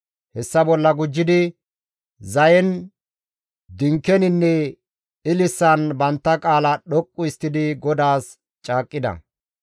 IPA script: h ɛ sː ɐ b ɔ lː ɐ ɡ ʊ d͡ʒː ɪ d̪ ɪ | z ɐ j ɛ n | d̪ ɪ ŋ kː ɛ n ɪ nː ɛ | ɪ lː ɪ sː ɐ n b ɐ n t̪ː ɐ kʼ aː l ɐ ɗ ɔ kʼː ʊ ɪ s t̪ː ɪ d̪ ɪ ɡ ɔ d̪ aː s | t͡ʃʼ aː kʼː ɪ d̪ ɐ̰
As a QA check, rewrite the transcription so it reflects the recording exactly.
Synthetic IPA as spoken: h ɛ sː ɐ b ɔ lː ɐ ɡ ʊ d͡ʒː ɪ d̪ ɪ | z ɐ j ɛ n | d̪ ɪ ŋ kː ɛ n ɪ nː ɛ | ɪ l ɪ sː ɐ n b ɐ n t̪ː ɐ kʼ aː l ɐ ɗ ɔ kʼː ʊ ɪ s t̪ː ɪ d̪ ɪ ɡ ɔ d̪ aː s | t͡ʃʼ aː kʼː ɪ d̪ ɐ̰

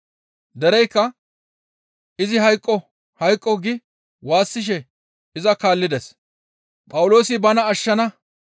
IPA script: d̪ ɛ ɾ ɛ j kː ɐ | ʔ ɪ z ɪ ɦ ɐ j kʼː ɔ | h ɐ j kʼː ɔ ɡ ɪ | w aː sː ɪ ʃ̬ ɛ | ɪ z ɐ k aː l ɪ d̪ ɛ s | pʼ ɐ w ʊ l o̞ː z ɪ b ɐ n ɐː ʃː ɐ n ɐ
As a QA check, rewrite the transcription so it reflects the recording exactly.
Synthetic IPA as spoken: d̪ ɛ ɾ ɛ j kː ɐ | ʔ ɪ z ɪ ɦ ɐ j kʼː ɔ | h ɐ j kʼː ɔ ɡ ɪ | w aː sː ɪ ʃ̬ ɛ | ɪ z ɐ k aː lː ɪ d̪ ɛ s | pʼ ɐ w ʊ l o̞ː s ɪ b ɐ n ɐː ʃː ɐ n ɐ

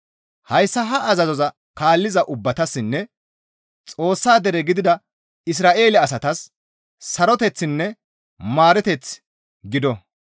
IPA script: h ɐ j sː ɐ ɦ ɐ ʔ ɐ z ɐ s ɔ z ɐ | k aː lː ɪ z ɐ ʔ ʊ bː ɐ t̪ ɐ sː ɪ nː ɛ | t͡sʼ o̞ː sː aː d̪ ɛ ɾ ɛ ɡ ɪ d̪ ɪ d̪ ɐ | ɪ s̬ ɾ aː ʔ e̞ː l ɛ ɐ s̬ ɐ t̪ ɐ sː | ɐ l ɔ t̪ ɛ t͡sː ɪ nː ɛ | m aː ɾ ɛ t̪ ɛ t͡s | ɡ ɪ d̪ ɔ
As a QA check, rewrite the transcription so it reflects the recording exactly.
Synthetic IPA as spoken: h ɐ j sː ɐ ɦ ɐ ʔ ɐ z ɐ z ɔ z ɐ | k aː lː ɪ z ɐ ʔ ʊ bː ɐ t̪ ɐ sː ɪ nː ɛ | t͡sʼ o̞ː sː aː d̪ ɛ ɾ ɛ ɡ ɪ d̪ ɪ d̪ ɐ | ɪ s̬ ɾ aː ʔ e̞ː l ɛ ɐ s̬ ɐ t̪ ɐ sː | ɐ ɾ ɔ t̪ ɛ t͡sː ɪ nː ɛ | m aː ɾ ɛ t̪ ɛ t͡s | ɡ ɪ d̪ ɔ

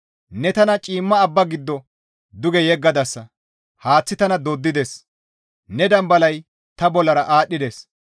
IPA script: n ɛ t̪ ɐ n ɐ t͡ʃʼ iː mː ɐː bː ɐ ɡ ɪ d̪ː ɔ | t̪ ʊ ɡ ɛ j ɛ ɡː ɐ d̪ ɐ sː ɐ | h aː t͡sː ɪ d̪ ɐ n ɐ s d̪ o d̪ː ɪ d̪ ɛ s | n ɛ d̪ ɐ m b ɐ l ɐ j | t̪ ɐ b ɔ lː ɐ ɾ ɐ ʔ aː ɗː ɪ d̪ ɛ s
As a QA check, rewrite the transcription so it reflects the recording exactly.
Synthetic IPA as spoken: n ɛ t̪ ɐ n ɐ t͡ʃʼ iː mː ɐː bː ɐ ɡ ɪ d̪ː ɔ | d̪ ʊ ɡ ɛ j ɛ ɡː ɐ d̪ ɐ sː ɐ | h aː t͡sː ɪ t̪ ɐ n ɐ d̪ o d̪ː ɪ d̪ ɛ s | n ɛ d̪ ɐ m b ɐ l ɐ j | t̪ ɐ b ɔ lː ɐ ɾ ɐ ʔ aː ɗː ɪ d̪ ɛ s

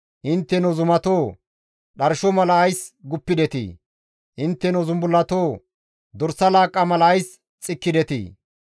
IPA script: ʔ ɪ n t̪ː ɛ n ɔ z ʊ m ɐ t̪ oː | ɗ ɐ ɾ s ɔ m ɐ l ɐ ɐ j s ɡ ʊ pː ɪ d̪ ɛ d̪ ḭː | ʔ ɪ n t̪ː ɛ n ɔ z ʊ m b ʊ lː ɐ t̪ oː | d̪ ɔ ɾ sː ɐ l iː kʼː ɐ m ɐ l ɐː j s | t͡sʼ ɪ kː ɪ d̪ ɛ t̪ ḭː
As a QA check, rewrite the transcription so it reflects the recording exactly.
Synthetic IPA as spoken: ʔ ɪ n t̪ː ɛ n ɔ z ʊ m ɐ t̪ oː | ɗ ɐ ɾ ʃ ɔ m ɐ l ɐ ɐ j s ɡ ʊ pː ɪ d̪ ɛ t̪ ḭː | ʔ ɪ n t̪ː ɛ n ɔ z ʊ m b ʊ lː ɐ t̪ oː | d̪ ɔ ɾ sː ɐ l aː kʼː ɐ m ɐ l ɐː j s | t͡sʼ ɪ kː ɪ d̪ ɛ t̪ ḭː

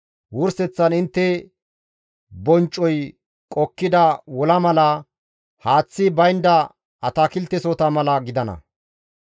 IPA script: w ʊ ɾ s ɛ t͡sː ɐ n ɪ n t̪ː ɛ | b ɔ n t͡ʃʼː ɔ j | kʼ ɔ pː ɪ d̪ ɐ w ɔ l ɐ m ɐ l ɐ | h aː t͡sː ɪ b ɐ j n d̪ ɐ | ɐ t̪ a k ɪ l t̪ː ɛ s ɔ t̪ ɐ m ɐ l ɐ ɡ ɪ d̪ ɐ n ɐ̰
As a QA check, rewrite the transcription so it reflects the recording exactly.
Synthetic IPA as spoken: w ʊ ɾ s ɛ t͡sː ɐ n ɪ n t̪ː ɛ | b ɔ n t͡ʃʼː ɔ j | kʼ ɔ kː ɪ d̪ ɐ w ɔ l ɐ m ɐ l ɐ | h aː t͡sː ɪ b ɐ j n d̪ ɐ | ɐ t̪ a k ɪ l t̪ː ɛ s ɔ t̪ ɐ m ɐ l ɐ ɡ ɪ d̪ ɐ n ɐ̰

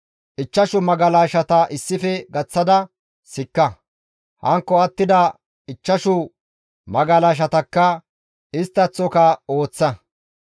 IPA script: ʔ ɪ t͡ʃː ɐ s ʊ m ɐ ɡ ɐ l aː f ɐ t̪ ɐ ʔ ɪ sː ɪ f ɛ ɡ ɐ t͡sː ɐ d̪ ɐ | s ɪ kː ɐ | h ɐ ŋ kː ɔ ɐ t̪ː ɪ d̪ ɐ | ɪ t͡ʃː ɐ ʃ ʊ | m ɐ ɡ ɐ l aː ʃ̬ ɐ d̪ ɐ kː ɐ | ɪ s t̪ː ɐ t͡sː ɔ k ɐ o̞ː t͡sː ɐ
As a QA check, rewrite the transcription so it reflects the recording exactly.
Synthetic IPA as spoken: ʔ ɪ t͡ʃː ɐ ʃ ʊ m ɐ ɡ ɐ l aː ʃ ɐ t̪ ɐ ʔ ɪ sː ɪ f ɛ ɡ ɐ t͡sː ɐ d̪ ɐ | s ɪ kː ɐ | h ɐ ŋ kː ɔ ɐ t̪ː ɪ d̪ ɐ | ɪ t͡ʃː ɐ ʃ ʊ | m ɐ ɡ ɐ l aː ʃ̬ ɐ t̪ ɐ kː ɐ | ɪ s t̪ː ɐ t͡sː ɔ k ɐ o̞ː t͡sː ɐ

